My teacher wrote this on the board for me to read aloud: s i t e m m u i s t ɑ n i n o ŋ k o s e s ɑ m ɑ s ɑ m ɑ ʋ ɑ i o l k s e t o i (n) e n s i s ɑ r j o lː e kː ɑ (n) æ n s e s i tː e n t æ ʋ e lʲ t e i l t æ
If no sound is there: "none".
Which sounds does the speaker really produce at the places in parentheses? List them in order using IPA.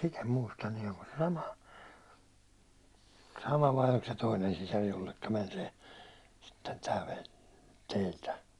n, m

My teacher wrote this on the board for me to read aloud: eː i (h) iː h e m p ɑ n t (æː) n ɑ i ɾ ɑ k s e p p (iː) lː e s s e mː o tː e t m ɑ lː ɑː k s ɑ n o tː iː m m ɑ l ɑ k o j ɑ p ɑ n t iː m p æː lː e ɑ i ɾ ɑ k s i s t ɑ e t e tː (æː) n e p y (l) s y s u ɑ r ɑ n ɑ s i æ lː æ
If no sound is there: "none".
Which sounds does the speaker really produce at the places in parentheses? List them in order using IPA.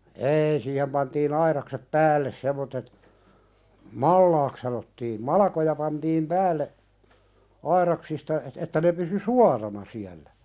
s, iː, æː, æ, none

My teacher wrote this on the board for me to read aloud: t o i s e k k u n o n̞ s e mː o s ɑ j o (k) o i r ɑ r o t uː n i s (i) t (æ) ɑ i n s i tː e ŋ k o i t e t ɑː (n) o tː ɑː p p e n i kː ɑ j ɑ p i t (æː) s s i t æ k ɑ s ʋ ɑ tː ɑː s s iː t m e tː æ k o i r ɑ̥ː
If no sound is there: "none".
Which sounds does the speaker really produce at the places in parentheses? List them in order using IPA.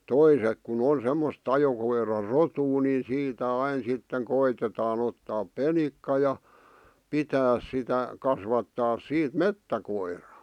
k, iː, æ, n, æː

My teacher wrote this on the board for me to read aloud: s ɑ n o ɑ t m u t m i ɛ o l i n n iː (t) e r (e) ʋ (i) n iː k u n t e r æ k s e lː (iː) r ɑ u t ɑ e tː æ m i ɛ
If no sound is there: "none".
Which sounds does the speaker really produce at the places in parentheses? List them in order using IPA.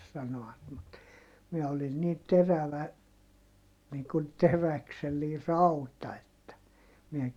t, æ, æ, iː

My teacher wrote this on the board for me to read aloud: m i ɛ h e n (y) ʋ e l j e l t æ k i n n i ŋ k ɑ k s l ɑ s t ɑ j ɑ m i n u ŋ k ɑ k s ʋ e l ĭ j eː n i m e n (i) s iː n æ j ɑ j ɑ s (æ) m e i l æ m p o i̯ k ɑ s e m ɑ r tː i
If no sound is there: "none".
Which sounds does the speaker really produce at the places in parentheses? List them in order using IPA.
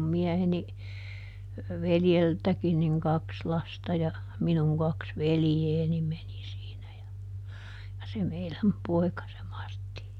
i, i, e

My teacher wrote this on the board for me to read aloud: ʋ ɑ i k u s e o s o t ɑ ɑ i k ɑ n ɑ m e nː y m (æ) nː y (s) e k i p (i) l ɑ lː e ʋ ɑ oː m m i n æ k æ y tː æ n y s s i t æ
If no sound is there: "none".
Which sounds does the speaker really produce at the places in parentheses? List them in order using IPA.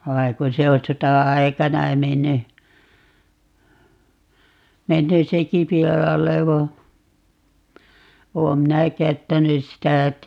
e, s, i

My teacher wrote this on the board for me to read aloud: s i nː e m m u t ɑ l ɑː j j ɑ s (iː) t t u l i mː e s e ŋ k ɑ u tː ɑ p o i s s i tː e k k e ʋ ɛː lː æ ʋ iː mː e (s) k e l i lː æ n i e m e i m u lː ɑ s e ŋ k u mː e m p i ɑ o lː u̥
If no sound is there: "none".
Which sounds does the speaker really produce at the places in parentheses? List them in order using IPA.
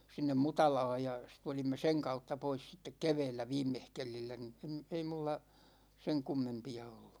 i, h

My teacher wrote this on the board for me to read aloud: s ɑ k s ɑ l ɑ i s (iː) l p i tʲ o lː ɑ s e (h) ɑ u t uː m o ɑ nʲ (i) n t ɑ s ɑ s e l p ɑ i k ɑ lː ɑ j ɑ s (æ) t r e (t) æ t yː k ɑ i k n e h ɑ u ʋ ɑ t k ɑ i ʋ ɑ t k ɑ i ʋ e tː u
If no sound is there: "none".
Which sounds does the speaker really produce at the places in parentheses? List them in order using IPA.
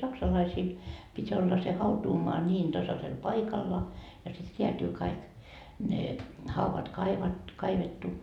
iː, h, iː, i, none

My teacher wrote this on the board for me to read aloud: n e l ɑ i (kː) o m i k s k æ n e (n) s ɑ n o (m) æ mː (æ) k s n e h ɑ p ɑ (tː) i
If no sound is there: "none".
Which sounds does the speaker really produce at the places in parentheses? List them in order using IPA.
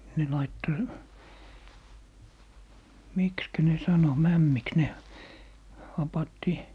tː, none, m, i, tː

